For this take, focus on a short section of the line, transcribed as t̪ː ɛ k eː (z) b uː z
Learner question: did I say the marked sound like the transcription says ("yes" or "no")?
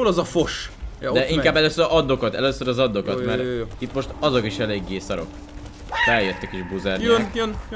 no